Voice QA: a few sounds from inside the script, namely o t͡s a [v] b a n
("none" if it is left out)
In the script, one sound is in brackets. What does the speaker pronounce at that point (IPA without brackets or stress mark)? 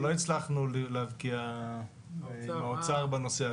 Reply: ʁ